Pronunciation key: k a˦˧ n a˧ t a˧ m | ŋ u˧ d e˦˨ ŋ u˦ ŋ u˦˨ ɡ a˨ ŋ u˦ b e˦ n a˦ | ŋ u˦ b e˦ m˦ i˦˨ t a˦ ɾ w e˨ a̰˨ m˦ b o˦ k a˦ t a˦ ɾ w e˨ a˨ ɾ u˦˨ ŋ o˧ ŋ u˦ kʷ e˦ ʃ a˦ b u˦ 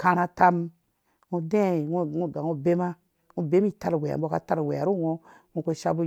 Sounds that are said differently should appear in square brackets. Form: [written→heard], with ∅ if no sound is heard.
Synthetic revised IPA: k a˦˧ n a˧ t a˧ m | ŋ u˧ d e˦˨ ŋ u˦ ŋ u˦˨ ɡ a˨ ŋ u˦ b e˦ [n→m] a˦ | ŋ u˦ b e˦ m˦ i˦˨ t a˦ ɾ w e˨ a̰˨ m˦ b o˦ k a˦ t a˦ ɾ w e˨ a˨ ɾ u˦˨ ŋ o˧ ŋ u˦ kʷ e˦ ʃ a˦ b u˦